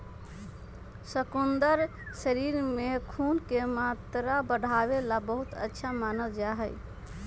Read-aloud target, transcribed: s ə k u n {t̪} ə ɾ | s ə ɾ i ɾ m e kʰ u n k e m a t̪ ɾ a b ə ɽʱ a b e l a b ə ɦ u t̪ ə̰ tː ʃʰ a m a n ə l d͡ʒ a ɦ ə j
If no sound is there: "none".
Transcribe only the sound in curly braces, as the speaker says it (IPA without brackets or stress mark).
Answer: d̪